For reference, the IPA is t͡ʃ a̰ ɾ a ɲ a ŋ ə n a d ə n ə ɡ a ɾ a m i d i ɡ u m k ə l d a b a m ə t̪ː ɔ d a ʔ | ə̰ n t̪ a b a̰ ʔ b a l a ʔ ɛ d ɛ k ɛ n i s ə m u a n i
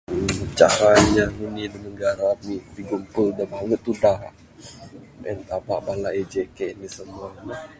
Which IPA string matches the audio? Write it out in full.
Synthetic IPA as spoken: t͡ʃ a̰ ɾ a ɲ a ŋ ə n i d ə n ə ɡ a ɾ a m i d i ɡ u m p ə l d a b a ŋ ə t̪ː u d a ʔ | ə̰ n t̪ a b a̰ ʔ b a l a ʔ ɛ d͡ʒ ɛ k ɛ n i s ə m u a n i